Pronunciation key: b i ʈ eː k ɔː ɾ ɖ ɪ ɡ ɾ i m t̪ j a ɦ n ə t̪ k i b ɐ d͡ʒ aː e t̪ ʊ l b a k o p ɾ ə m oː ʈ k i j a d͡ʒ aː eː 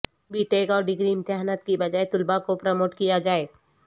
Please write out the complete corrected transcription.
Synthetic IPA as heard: b i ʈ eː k ɔː ɾ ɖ ɪ ɡ ɾ i m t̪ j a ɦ n ə t̪ k i b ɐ d͡ʒ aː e t̪ ʊ l b a k o p ɾ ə m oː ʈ k i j a d͡ʒ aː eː